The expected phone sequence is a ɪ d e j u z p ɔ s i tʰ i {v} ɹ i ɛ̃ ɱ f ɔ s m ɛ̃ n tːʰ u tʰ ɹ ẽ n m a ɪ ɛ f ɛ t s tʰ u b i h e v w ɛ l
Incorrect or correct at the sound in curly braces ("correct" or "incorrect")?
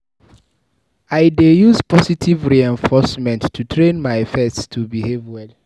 correct